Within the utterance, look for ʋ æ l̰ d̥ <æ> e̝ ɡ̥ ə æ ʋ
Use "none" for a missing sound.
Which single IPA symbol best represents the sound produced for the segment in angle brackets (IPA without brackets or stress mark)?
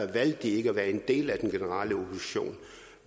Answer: i